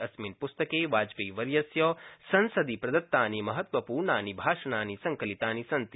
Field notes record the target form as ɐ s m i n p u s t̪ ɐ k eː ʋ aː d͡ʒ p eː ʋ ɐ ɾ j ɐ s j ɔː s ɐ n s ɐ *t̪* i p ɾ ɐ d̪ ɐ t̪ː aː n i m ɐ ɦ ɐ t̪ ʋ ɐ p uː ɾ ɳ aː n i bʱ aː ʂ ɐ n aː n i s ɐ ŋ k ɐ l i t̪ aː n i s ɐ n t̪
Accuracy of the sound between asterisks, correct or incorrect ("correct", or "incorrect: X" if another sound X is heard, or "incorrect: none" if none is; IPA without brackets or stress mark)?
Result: incorrect: d̪